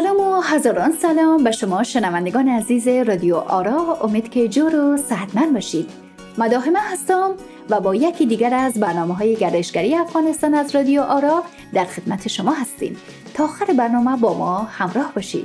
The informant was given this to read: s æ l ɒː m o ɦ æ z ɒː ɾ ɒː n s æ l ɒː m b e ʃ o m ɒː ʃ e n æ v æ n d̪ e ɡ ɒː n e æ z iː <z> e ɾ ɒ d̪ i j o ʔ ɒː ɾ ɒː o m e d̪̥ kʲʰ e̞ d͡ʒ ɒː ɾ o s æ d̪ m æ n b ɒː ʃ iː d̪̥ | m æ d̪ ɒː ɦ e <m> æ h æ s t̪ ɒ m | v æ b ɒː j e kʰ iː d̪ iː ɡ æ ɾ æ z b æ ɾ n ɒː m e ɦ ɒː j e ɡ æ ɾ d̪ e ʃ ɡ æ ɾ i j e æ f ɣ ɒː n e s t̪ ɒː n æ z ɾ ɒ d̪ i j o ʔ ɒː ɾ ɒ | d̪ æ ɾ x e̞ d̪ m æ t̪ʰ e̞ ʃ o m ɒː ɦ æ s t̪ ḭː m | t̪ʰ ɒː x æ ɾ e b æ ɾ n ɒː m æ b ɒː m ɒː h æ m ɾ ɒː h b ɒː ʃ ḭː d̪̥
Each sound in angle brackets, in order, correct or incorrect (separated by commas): correct, correct